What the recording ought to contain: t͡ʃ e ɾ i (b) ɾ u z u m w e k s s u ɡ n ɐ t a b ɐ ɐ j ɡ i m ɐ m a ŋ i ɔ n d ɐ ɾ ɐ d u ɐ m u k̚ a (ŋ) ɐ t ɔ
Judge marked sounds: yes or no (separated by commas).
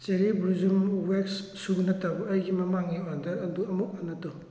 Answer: yes, no